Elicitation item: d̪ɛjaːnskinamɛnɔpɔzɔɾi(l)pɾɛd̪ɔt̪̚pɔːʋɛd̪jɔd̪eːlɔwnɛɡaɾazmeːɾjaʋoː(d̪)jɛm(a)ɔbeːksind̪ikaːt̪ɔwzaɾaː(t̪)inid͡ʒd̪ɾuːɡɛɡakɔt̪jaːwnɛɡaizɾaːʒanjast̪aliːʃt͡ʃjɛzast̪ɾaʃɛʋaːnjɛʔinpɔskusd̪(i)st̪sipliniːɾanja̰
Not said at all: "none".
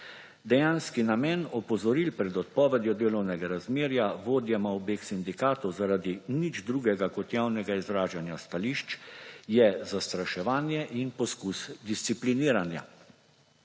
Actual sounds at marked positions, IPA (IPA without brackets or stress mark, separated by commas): l, d̪, a, d̪, i